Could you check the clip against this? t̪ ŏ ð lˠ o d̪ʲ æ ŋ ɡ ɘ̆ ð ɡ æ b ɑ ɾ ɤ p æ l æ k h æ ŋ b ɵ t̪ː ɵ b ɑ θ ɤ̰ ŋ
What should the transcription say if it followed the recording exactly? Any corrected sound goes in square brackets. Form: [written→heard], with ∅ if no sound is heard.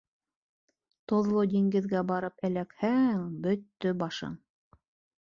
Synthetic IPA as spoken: t̪ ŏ ð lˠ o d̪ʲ [æ→i] ŋ ɡ ɘ̆ ð ɡ æ b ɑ ɾ ɤ p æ l æ k h æ ŋ b ɵ t̪ː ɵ b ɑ [θ→ʃ] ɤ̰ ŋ